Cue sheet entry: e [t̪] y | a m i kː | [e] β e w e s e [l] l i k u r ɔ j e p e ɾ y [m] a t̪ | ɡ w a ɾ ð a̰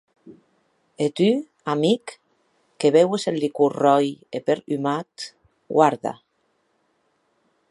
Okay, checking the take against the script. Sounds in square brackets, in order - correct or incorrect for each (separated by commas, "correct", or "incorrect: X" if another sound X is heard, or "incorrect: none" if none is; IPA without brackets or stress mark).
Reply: correct, correct, correct, correct